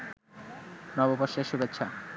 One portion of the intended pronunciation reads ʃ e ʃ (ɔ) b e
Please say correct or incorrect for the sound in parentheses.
incorrect: u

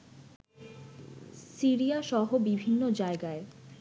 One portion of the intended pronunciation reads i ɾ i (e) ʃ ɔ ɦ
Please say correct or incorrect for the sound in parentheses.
incorrect: a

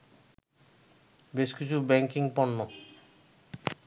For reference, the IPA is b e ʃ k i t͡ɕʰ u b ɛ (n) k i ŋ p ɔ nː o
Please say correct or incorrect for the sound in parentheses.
incorrect: ŋ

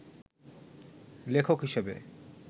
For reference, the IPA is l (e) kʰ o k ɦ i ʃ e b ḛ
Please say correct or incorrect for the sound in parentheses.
correct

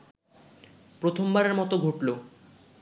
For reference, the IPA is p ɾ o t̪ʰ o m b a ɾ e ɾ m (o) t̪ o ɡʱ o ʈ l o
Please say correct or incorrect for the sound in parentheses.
incorrect: ɔ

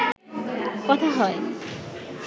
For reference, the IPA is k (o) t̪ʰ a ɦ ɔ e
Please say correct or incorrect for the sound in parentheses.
incorrect: ɔ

